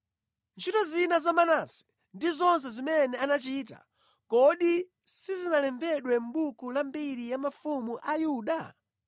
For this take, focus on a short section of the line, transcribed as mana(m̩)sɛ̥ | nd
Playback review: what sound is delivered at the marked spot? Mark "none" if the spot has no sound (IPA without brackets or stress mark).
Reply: none